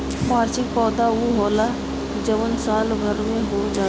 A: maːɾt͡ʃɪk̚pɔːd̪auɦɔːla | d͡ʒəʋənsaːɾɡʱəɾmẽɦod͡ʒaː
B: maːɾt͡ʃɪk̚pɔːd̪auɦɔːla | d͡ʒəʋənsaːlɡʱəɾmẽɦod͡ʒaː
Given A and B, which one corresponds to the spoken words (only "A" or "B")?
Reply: B